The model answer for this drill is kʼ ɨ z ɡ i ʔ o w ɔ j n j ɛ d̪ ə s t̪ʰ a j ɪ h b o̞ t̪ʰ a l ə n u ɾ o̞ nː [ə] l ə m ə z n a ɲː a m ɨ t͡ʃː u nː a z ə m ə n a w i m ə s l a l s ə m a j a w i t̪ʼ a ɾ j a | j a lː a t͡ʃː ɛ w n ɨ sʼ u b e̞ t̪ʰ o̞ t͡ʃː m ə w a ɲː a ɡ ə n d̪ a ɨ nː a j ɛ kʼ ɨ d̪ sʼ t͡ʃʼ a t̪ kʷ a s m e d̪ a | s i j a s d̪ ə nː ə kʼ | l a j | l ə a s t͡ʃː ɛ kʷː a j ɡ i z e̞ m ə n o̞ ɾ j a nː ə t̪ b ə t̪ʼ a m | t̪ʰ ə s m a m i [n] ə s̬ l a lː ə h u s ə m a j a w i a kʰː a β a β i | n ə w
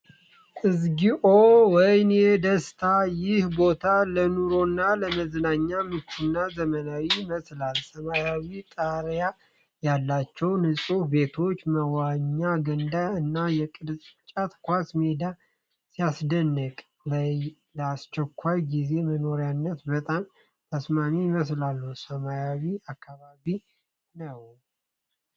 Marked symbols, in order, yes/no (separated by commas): no, no